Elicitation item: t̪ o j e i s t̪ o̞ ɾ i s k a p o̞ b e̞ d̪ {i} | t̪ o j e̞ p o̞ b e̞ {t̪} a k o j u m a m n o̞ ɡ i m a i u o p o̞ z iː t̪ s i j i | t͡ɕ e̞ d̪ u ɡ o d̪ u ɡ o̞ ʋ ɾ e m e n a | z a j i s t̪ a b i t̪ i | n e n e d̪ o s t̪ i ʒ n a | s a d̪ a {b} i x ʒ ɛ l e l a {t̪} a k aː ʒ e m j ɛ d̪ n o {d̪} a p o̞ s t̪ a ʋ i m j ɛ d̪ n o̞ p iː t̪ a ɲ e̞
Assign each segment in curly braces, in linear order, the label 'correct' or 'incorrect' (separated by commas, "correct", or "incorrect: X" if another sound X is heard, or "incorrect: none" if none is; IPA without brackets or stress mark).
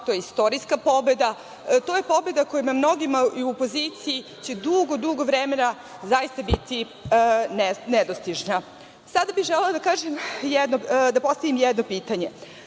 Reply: incorrect: a, incorrect: d̪, correct, incorrect: d̪, correct